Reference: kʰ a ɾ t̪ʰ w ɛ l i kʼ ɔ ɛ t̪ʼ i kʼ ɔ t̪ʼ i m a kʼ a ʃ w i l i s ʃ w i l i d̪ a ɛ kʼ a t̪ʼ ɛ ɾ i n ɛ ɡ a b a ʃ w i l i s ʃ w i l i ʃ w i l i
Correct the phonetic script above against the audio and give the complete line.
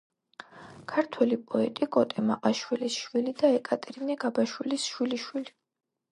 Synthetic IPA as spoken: kʰ a ɾ t̪ʰ w ɛ l i pʼ ɔ ɛ t̪ʼ i kʼ ɔ t̪ʼ ɛ m a qʼ a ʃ w i l i s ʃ w i l i d̪ a ɛ kʼ a t̪ʼ ɛ ɾ i n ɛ ɡ a b a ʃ w i l i s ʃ w i l i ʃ w i l i